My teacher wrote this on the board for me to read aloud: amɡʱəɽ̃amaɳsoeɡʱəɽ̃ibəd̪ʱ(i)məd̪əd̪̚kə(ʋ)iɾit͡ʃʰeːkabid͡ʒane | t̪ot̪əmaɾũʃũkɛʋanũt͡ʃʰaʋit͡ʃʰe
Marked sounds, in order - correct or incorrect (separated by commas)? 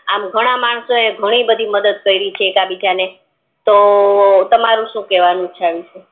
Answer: correct, incorrect